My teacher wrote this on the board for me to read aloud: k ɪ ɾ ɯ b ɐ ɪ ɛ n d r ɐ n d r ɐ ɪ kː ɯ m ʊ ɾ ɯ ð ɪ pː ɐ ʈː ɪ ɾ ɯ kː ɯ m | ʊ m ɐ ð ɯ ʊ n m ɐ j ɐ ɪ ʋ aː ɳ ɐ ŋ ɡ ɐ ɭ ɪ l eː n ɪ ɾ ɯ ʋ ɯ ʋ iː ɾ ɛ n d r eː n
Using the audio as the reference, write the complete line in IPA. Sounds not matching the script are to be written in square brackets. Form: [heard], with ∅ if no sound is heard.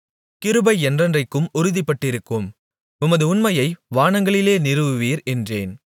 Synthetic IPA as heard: k ɪ ɾ ɯ b ɐ ɪ ɛ n d r ɐ n d r ɐ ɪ kː ɯ m ʊ ɾ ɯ ð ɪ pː ɐ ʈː ɪ ɾ ɯ kː ɯ m | ʊ m ɐ ð ɯ ʊ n m ɐ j ɐ ɪ ʋ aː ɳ ɐ ŋ ɡ ɐ ɭ ɪ l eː n ɪ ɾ ɯ ʋ ɯ ʋ iː ɾ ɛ n d r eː n

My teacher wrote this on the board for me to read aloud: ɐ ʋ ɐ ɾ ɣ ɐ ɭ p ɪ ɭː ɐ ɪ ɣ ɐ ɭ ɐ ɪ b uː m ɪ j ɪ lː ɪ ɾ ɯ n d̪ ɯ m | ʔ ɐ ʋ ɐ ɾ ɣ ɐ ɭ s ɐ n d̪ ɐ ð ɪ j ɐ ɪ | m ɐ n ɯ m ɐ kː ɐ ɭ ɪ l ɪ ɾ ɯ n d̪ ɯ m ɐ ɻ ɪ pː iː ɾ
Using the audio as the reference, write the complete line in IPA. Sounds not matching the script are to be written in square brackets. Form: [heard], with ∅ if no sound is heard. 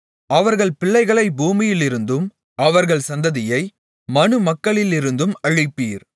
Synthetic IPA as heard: ɐ ʋ ɐ ɾ ɣ ɐ ɭ p ɪ ɭː ɐ ɪ ɣ ɐ ɭ ɐ ɪ b uː m ɪ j ɪ [l] ɪ ɾ ɯ n d̪ ɯ m | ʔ ɐ ʋ ɐ ɾ ɣ ɐ ɭ s ɐ n d̪ ɐ ð ɪ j ɐ ɪ | m ɐ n ɯ m ɐ kː ɐ ɭ ɪ l ɪ ɾ ɯ n d̪ ɯ m ɐ ɻ ɪ pː iː ɾ

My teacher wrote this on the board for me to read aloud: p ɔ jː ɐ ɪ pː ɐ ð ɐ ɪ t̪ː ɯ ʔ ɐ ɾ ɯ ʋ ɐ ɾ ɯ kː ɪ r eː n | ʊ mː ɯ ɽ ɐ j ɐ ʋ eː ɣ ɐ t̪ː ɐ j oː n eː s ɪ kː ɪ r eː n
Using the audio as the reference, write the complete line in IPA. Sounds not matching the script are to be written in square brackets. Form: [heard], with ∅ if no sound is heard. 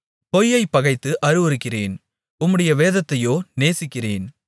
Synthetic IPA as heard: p ɔ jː ɐ ɪ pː ɐ [ɣ] ɐ ɪ t̪ː ɯ ʔ ɐ ɾ ɯ ʋ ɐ ɾ ɯ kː ɪ r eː n | ʊ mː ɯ ɽ ɐ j ɐ ʋ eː [ð] ɐ t̪ː ɐ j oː n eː s ɪ kː ɪ r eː n

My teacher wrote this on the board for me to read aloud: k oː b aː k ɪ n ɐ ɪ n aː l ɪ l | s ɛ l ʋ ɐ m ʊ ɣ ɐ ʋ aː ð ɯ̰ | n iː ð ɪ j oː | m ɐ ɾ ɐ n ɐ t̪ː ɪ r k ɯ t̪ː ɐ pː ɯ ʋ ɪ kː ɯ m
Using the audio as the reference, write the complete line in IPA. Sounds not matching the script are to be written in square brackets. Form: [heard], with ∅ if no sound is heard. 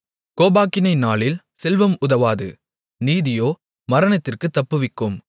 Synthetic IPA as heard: k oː b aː k ɪ n ɐ ɪ n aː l ɪ l | s ɛ l ʋ ɐ m ʊ [ð] ɐ ʋ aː ð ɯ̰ | n iː ð ɪ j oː | m ɐ ɾ ɐ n ɐ t̪ː ɪ r k ɯ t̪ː ɐ pː ɯ ʋ ɪ kː ɯ m

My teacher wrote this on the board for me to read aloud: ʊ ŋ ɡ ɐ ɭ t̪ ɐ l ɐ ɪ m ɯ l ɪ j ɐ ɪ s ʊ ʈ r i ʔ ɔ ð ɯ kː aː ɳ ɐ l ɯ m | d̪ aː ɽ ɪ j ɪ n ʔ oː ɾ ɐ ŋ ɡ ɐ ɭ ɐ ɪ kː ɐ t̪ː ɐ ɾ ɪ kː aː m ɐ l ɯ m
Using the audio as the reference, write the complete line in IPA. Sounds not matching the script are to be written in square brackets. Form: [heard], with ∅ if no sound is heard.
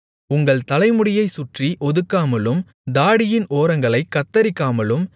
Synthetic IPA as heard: ʊ ŋ ɡ ɐ ɭ t̪ ɐ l ɐ ɪ m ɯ [ɽ] ɪ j ɐ ɪ s ʊ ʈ r i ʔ ɔ ð ɯ kː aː [m] ɐ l ɯ m | d̪ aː ɽ ɪ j ɪ n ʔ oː ɾ ɐ ŋ ɡ ɐ ɭ ɐ ɪ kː ɐ t̪ː ɐ ɾ ɪ kː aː m ɐ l ɯ m

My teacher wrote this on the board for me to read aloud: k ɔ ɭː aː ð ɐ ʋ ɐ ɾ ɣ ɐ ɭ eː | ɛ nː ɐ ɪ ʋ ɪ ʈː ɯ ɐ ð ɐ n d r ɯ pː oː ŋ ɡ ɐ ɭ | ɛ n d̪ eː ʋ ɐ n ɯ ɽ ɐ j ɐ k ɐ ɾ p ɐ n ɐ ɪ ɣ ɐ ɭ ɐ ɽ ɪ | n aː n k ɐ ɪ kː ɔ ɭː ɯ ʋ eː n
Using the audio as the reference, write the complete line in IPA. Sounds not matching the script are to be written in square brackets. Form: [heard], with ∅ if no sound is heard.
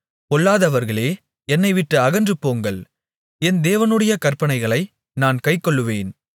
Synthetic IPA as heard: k ɔ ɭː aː ð ɐ ʋ ɐ ɾ ɣ ɐ ɭ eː | ɛ nː ɐ ɪ ʋ ɪ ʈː ɯ ɐ [ɣ] ɐ n d r ɯ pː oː ŋ ɡ ɐ ɭ | ɛ n d̪ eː ʋ ɐ n ɯ ɽ ɐ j ɐ k ɐ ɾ p ɐ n ɐ ɪ ɣ ɐ ɭ ɐ [∅] ɪ | n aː n k ɐ ɪ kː ɔ ɭː ɯ ʋ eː n

